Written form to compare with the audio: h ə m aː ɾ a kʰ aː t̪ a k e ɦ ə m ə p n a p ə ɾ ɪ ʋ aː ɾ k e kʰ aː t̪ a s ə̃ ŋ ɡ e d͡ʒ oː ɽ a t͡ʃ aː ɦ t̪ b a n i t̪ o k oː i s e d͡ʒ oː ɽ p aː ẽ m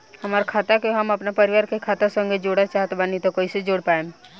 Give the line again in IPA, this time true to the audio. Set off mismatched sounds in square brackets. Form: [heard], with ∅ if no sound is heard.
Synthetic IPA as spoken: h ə m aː ɾ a kʰ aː t̪ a k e ɦ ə m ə p n a p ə ɾ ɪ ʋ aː ɾ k e kʰ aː t̪ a s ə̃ ŋ ɡ e d͡ʒ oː ɽ a t͡ʃ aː ɦ t̪ b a n i t̪ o k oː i s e d͡ʒ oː ɽ p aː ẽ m